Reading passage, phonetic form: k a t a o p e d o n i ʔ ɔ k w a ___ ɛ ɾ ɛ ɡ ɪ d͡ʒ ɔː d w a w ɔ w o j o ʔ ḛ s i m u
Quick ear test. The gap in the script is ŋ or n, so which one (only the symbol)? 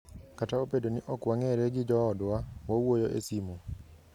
ŋ